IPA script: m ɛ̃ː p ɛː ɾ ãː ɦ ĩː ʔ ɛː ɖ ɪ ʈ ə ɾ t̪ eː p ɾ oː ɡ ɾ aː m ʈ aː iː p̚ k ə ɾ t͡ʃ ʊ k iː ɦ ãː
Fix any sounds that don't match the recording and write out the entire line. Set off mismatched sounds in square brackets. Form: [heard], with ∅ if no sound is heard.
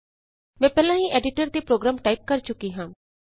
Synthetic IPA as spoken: m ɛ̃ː p ɛː [l] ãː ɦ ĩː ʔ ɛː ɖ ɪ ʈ ə ɾ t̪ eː p ɾ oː ɡ ɾ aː m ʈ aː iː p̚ k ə ɾ t͡ʃ ʊ k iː ɦ ãː